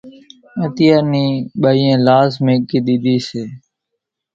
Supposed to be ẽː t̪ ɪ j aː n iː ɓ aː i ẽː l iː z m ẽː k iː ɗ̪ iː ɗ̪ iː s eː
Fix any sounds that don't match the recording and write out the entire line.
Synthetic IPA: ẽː t̪ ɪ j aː n iː ɓ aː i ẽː l aː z m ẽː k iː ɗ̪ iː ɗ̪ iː s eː